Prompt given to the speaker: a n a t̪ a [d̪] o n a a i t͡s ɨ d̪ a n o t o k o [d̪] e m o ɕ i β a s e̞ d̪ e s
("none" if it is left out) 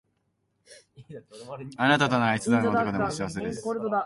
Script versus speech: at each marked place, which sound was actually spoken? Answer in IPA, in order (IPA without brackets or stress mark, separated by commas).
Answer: t̪, d̪